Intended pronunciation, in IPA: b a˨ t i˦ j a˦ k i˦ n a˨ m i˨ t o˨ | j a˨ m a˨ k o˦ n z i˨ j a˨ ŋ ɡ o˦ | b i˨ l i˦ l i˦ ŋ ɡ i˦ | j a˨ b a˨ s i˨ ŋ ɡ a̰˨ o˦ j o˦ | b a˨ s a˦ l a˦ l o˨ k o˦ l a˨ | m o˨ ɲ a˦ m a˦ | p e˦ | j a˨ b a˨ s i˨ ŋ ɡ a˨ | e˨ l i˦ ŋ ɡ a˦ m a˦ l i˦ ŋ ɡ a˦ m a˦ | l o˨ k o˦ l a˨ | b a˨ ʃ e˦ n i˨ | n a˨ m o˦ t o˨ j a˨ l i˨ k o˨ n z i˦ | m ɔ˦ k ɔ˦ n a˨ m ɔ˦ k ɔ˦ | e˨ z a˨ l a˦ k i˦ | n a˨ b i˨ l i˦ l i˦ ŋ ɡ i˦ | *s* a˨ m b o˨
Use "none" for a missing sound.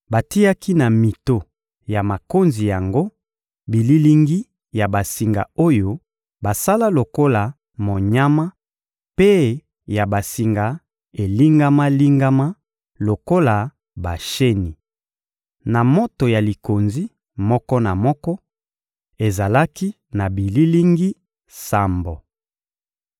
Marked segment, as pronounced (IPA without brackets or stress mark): s